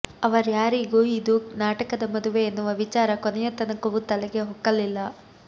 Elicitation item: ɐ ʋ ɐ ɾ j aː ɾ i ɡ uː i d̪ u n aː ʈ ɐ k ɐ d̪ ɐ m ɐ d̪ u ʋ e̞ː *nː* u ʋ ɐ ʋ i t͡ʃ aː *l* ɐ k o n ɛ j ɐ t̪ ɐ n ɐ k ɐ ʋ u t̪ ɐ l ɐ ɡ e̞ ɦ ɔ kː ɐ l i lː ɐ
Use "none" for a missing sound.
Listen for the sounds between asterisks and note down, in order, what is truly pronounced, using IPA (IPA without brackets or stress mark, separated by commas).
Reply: nː, ɾ